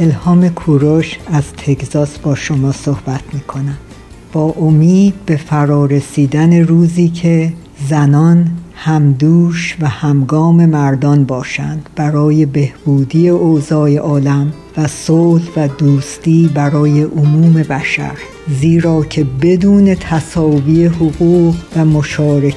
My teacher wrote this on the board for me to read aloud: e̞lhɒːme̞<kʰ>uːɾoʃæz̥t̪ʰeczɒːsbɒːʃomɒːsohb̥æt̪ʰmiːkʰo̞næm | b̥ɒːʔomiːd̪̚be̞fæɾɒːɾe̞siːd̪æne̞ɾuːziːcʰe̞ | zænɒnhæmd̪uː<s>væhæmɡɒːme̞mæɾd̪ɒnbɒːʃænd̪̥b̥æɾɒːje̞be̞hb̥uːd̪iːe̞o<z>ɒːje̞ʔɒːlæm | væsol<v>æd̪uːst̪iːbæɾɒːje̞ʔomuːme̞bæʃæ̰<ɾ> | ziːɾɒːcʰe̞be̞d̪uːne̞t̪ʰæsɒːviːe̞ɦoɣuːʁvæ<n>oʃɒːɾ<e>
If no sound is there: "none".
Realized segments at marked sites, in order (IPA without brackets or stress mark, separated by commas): kʰ, ʃ, z, v, ɾ, m, e